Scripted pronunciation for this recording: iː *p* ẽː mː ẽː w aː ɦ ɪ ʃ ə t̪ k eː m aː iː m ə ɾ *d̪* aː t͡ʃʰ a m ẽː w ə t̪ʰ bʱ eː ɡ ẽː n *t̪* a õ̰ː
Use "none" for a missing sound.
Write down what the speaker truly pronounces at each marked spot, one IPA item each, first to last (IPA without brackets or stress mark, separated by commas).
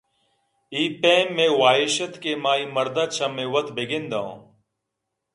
p, d̪, d̪